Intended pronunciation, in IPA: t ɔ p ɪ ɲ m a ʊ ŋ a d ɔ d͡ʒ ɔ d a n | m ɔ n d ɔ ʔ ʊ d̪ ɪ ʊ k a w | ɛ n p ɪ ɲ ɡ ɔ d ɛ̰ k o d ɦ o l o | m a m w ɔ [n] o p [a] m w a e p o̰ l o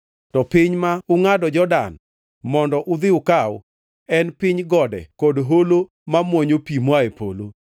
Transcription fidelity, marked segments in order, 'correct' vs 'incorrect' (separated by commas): incorrect, incorrect